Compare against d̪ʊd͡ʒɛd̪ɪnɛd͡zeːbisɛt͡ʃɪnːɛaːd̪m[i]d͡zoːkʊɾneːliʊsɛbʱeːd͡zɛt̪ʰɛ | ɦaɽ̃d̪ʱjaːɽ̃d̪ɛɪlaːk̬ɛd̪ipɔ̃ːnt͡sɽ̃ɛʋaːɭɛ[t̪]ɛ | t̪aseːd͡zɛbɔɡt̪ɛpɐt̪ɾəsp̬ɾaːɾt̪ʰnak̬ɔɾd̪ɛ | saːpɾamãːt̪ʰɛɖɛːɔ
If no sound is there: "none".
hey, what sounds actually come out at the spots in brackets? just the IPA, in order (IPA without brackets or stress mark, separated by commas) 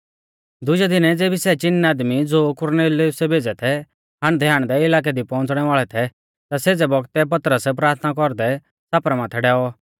i, t̪ʰ